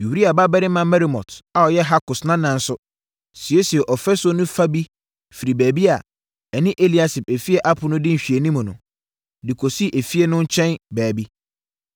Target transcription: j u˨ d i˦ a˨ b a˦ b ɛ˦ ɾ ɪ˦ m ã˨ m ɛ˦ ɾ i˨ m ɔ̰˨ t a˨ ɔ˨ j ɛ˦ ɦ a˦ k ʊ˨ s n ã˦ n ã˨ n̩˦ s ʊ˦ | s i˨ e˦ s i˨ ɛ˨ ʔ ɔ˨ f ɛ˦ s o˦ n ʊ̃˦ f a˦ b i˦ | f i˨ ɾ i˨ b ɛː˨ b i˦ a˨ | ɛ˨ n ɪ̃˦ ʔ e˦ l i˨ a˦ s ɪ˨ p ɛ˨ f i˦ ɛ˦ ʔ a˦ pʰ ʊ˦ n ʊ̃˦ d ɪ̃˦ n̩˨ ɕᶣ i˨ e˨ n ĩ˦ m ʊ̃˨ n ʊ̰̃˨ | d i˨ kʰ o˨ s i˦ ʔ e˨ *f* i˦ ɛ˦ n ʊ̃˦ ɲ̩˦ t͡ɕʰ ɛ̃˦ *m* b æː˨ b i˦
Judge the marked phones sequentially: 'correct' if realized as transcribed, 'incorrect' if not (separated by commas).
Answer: correct, incorrect